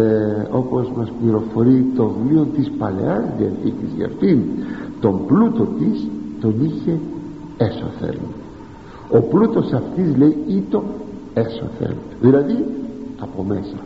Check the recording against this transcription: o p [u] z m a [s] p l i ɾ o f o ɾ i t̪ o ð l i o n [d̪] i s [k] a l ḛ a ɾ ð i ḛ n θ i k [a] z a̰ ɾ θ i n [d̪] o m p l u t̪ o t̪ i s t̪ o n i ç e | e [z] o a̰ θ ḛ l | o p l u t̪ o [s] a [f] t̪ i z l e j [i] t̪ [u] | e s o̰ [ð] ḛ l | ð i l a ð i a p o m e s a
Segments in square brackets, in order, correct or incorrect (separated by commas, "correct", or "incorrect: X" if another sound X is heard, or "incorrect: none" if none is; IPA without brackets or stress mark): incorrect: o, correct, incorrect: t̪, incorrect: p, incorrect: i, incorrect: t̪, incorrect: s, correct, correct, correct, incorrect: o, incorrect: θ